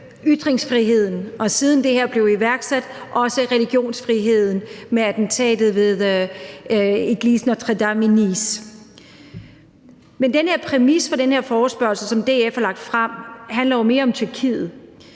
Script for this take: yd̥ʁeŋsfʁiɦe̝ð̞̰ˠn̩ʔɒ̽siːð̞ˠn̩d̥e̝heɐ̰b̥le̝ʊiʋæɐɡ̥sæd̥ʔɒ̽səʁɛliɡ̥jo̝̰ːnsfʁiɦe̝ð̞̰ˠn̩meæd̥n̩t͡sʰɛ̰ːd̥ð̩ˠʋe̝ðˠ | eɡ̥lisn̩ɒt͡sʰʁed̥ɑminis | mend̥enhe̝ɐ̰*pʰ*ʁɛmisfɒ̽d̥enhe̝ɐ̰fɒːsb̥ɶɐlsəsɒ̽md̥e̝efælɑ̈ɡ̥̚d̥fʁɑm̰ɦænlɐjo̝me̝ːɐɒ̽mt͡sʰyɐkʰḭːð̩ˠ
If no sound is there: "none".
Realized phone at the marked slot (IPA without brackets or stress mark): pʰ